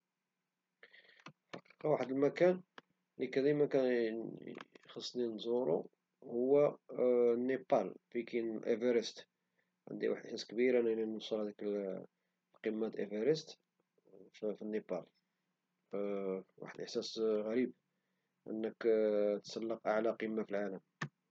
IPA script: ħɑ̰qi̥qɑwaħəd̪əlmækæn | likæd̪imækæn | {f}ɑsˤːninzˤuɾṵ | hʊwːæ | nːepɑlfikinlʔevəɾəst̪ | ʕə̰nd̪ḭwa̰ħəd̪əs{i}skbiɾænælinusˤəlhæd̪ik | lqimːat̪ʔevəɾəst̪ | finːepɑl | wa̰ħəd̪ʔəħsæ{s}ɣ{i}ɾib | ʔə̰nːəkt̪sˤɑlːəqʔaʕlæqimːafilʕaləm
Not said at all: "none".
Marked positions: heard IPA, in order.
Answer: x, æ, s, æ

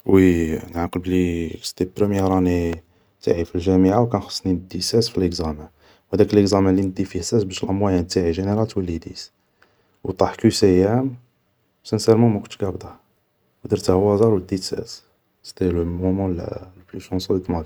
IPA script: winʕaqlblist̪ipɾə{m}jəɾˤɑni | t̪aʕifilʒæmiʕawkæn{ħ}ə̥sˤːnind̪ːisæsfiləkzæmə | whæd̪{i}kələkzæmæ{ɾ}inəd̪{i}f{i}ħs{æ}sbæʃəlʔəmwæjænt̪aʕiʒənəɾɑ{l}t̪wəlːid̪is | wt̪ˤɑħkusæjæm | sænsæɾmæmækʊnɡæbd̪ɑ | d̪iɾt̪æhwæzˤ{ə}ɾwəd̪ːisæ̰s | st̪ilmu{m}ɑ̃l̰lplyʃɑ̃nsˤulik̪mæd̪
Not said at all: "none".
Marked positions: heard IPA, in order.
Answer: m, x, æ, l, i, i, æ, l, ɑ, m

